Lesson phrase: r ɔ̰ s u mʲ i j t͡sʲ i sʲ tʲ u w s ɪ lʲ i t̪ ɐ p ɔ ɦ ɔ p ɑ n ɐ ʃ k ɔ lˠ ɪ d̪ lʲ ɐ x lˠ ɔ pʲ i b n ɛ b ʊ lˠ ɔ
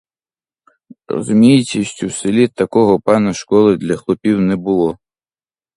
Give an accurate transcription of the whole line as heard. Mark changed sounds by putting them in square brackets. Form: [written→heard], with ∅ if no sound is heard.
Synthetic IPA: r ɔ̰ [s→z] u mʲ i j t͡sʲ i sʲ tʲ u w s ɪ lʲ i t̪ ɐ [p→k] ɔ ɦ ɔ p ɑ n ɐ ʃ k ɔ lˠ ɪ d̪ lʲ ɐ x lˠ ɔ pʲ i [b→w] n ɛ b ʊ lˠ ɔ